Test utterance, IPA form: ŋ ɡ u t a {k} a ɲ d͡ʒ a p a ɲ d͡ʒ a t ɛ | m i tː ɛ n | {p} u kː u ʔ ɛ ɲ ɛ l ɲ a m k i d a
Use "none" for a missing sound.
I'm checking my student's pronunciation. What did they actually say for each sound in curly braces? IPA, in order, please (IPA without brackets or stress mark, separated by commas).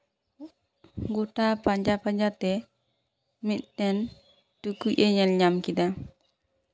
p, t